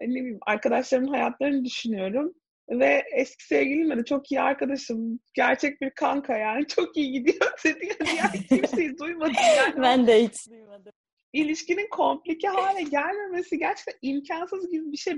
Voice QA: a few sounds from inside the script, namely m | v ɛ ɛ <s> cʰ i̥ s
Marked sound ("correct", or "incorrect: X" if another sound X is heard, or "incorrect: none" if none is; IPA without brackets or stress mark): correct